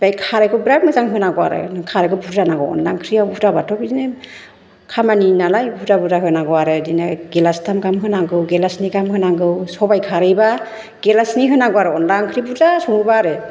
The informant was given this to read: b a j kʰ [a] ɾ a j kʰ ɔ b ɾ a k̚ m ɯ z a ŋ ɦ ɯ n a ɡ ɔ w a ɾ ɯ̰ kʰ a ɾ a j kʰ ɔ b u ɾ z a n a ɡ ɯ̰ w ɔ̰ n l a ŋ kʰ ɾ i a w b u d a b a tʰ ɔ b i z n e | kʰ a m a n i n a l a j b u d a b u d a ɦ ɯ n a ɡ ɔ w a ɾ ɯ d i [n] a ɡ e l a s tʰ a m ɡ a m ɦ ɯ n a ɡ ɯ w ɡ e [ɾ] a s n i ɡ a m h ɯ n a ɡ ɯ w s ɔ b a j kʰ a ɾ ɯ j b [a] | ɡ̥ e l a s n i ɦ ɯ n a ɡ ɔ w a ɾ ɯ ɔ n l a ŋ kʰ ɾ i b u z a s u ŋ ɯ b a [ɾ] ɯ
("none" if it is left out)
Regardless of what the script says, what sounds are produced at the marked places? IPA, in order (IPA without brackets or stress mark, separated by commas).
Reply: a, n, l, a, ɾ